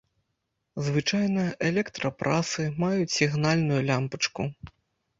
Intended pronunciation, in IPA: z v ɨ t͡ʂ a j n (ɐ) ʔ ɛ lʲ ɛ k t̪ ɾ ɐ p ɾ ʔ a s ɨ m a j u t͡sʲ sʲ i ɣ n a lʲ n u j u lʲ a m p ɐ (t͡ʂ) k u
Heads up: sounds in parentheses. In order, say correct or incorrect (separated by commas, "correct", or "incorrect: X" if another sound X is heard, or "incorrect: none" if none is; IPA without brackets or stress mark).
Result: correct, correct